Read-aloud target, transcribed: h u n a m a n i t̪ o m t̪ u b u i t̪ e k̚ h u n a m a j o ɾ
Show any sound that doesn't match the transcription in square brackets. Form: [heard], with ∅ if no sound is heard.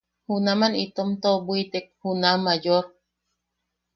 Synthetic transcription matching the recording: h u n a m a n i t̪ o m t̪ [o] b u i t̪ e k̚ h u n a m a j o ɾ